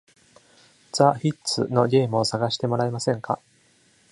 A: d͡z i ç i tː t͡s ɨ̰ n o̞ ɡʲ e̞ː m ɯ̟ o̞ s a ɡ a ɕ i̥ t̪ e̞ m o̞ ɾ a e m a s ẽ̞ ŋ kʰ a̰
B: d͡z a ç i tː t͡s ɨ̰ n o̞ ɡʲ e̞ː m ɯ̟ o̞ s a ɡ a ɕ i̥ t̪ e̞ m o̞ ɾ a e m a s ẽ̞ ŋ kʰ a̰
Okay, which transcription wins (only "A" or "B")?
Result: B